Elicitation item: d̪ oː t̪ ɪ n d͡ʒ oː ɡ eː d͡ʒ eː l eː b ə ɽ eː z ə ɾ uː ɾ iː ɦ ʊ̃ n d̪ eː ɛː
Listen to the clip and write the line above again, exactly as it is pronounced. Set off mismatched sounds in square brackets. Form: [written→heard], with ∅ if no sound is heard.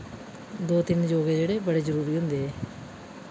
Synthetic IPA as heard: d̪ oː t̪ ɪ n d͡ʒ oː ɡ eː d͡ʒ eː [l→ɽ] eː b ə ɽ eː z ə ɾ uː ɾ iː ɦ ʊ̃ n d̪ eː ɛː